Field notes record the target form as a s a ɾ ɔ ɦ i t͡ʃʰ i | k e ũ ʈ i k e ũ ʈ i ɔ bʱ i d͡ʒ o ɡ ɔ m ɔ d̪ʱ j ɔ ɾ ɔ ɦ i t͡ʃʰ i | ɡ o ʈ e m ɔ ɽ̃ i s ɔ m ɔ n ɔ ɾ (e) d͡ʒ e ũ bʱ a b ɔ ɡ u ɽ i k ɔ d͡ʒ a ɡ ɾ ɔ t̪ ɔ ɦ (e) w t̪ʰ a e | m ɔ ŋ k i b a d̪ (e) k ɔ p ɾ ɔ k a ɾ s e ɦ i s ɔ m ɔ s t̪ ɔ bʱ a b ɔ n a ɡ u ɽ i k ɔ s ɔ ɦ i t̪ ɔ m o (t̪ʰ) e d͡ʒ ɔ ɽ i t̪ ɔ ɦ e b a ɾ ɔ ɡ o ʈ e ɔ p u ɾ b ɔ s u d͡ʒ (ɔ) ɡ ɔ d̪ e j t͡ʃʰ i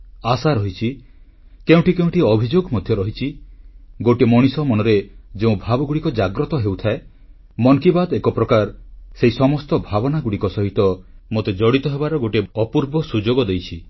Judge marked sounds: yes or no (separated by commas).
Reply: yes, yes, yes, no, no